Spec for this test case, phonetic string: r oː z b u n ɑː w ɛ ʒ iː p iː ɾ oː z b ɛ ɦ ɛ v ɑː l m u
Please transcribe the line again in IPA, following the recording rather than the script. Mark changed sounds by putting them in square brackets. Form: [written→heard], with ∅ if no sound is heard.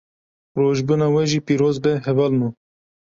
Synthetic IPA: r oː [z→ʒ] b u n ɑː w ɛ ʒ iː p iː ɾ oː z b ɛ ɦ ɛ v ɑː l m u